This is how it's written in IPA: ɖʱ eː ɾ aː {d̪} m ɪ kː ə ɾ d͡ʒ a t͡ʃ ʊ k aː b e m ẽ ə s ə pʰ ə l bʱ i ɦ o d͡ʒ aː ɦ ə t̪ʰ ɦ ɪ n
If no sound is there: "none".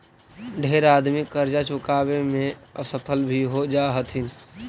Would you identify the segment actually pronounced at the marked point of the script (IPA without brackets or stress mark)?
d̪